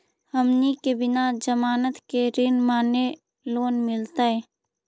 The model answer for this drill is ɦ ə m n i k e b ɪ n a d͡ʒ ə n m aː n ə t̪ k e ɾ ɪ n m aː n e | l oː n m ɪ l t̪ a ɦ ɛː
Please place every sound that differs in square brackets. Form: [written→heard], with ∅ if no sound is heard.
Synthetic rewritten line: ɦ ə m n i k e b ɪ n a d͡ʒ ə [n→∅] m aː n ə t̪ k e ɾ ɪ n m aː n e | l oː n m ɪ l t̪ a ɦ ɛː